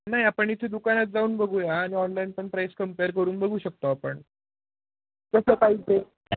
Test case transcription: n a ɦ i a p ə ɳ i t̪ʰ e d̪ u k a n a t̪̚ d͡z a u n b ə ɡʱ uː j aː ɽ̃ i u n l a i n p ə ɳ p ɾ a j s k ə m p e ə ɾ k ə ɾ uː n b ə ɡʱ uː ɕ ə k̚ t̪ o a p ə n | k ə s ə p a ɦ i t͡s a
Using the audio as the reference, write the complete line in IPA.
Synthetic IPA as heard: n a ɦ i a p ə ɳ i t̪ʰ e d̪ u k a n a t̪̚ d͡z a uː n b ə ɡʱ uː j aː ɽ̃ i ɔ n l a i n p ə ɳ p ɾ a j s k ə m p e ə ɾ k ə ɾ uː n b ə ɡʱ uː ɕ ə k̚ t̪ o a p ə ɳ | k ə s ə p a ɦ i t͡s e

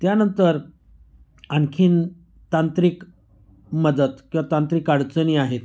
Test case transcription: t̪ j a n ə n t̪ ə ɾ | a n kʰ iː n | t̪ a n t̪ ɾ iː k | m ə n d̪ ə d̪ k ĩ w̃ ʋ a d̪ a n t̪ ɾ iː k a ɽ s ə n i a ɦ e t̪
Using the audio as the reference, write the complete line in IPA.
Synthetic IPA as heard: t̪ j a n ə n t̪ ə ɾ | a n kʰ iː n | t̪ a n t̪ ɾ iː k | m ə d̪ ə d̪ k ĩ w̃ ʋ a t̪ a n t̪ ɾ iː k a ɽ t͡s ə n i a ɦ e t̪

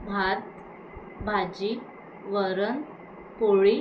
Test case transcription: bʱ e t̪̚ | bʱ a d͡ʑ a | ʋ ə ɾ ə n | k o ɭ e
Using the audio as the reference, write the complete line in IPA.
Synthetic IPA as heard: bʱ a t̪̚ | bʱ a d͡ʑ i | ʋ ə ɾ ə n | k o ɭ i

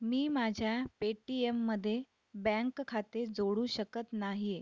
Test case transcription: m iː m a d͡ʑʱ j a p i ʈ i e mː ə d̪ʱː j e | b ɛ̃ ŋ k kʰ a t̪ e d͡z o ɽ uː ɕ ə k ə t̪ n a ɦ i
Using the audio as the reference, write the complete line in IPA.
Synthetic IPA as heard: m iː m a d͡ʑʱ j a p e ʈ i e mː ə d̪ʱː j e | b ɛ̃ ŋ k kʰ a t̪ e d͡z o ɽ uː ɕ ə k ə t̪ n a ɦ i

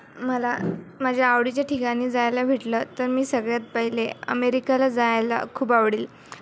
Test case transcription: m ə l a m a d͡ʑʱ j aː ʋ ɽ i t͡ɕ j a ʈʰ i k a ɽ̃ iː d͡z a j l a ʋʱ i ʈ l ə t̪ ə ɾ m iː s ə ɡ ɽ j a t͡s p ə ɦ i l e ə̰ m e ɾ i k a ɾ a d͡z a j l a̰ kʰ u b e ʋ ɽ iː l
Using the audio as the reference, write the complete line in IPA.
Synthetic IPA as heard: m ə l a m a d͡ʑʱ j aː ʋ ɽ i t͡ɕ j a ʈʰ i k a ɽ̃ iː d͡z a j l a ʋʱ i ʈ l ə t̪ ə ɾ m iː s ə ɡ ɭ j a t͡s p ə ɦ i l e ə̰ m e ɾ i k a l a d͡z a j l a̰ kʰ uː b a ʋ ɽ iː l

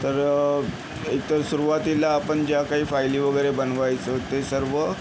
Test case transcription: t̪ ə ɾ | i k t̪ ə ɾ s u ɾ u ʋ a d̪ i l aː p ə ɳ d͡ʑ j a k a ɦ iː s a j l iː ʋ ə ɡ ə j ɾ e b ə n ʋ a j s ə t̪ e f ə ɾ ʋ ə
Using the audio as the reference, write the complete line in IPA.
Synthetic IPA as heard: t̪ ə ɾ | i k t̪ ə ɾ s u ɾ u ʋ a t̪ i l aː p ə ɳ d͡ʑ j a k a ɦ iː f a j l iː ʋ ə ɡ ə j ɾ e b ə n ʋ a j t͡s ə t̪ e s ə ɾ ʋ ə

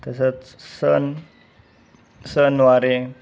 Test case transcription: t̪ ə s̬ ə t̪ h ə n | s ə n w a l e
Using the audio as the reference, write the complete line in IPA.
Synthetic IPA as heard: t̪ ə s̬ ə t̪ s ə n | s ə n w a ɾ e

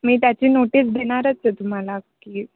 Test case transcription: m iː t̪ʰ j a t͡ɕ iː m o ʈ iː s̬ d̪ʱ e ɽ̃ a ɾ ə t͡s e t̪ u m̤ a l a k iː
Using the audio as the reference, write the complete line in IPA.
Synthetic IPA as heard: m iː t̪ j a t͡ɕ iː n o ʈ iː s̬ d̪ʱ e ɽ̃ a ɾ ə t͡s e t̪ u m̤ a l a k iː

